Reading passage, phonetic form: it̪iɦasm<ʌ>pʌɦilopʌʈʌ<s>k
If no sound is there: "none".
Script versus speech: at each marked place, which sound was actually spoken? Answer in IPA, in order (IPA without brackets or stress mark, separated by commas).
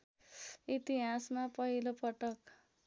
a, none